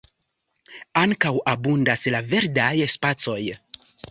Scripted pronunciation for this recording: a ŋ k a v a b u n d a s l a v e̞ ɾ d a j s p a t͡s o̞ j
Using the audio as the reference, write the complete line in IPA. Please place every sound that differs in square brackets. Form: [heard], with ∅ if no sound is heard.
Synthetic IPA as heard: a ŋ k a [w] a b u n d a s l a v e̞ ɾ d a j s p a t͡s o̞ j